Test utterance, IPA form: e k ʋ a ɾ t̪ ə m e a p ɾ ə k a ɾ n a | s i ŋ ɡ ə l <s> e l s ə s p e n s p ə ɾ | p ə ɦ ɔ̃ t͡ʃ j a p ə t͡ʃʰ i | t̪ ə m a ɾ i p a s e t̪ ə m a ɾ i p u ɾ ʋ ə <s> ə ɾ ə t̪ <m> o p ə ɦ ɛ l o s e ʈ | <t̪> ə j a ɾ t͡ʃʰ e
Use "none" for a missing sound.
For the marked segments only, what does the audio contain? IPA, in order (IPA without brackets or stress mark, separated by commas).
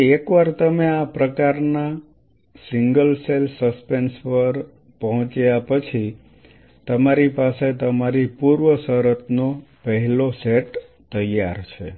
s, s, n, t̪